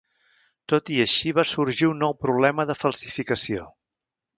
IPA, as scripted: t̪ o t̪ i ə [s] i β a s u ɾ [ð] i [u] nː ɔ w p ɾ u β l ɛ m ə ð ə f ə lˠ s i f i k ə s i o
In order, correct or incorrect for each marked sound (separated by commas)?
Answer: incorrect, incorrect, correct